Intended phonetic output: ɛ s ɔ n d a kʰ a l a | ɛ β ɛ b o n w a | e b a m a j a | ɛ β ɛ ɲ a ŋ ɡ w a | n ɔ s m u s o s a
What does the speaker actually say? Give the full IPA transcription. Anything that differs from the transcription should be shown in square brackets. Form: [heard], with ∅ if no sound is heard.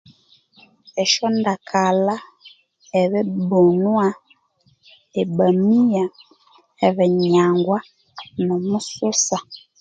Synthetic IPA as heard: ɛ [ʃ] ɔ n d a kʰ a l a | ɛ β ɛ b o n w a | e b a m [i] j a | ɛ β ɛ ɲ a ŋ ɡ w a | n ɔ [∅] m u s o s a